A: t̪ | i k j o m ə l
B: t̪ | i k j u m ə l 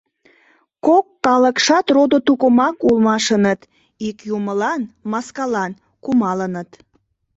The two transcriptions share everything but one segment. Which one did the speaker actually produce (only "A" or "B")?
B